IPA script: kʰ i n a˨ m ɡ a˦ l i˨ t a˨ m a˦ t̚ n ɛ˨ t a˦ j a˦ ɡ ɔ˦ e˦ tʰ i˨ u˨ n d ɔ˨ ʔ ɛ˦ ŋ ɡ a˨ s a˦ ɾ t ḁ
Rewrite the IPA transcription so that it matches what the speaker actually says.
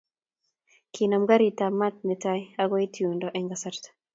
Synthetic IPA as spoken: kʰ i n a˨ m ɡ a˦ ɾ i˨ t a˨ m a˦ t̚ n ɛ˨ t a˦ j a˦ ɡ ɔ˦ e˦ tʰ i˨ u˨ n d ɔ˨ ʔ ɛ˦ ŋ ɡ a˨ s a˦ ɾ t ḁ

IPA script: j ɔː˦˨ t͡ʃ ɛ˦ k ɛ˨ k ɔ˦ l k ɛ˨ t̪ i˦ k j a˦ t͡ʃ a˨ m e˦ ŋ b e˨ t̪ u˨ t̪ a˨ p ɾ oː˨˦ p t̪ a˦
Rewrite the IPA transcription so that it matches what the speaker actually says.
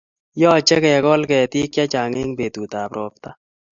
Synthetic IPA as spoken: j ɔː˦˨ t͡ʃ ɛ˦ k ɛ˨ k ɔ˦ l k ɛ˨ t̪ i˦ k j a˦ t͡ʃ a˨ ŋ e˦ ŋ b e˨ t̪ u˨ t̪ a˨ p ɾ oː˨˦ p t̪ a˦

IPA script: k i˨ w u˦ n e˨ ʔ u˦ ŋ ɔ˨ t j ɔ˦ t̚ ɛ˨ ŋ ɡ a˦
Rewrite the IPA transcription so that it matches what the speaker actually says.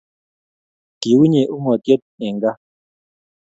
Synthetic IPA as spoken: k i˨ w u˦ ɲ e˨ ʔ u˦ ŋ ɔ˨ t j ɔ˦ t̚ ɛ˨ ŋ ɡ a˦

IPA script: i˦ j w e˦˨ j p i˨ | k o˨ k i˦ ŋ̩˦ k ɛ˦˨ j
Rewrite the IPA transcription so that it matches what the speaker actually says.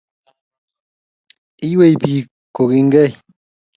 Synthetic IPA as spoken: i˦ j w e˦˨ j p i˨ | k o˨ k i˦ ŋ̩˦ ɡ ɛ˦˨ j

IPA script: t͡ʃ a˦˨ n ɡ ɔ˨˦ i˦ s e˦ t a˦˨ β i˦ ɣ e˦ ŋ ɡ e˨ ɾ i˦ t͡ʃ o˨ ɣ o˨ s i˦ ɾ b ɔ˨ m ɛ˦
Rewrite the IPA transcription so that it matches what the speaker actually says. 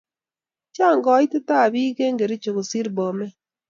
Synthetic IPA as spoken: t͡ʃ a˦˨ ŋ ɡ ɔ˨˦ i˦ t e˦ t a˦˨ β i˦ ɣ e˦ ŋ ɡ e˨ ɾ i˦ t͡ʃ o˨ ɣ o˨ s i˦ ɾ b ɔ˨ m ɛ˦

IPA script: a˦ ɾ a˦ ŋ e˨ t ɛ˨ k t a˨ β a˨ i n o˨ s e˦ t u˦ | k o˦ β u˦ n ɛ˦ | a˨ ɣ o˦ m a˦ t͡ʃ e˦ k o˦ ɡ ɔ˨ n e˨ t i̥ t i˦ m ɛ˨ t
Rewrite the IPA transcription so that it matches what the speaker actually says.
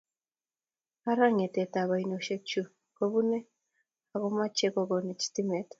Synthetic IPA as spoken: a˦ ɾ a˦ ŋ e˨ t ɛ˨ t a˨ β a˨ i n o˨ ʃ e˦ t͡ʃ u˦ | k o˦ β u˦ n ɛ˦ | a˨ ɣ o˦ m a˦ t͡ʃ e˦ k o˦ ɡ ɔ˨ n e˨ t͡ʃ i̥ t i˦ m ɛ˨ t

